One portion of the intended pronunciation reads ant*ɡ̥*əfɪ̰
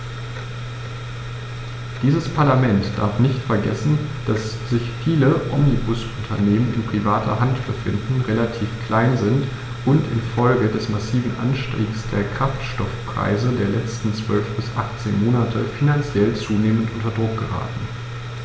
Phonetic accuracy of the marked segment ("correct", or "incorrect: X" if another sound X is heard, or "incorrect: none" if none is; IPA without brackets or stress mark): incorrect: b̥